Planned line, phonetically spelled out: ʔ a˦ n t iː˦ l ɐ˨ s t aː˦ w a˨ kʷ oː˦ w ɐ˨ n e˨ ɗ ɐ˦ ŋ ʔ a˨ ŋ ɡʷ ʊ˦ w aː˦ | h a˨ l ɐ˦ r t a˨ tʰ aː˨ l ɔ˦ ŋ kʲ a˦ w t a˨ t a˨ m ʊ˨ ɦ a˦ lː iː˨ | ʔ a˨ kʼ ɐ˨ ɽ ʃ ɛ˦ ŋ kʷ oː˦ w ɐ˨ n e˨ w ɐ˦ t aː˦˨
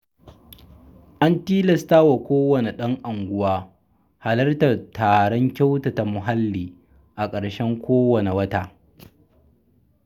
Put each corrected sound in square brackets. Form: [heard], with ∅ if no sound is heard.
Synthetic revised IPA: ʔ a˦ n t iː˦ l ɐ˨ s t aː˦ w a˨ kʷ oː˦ w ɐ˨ n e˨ ɗ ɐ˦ ŋ ʔ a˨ ŋ ɡʷ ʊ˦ w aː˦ | h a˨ l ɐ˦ r t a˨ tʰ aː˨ [ɽ] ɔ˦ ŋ kʲ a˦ w t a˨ t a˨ m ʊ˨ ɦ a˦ lː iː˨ | ʔ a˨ kʼ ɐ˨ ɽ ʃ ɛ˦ ŋ kʷ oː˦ w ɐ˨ n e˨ w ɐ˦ t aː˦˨